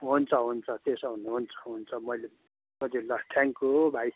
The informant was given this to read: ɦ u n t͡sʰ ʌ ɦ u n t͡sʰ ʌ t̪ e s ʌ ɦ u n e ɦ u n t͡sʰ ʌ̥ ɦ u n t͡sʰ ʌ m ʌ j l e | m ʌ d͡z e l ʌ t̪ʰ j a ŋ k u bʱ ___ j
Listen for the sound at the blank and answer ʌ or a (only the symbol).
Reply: a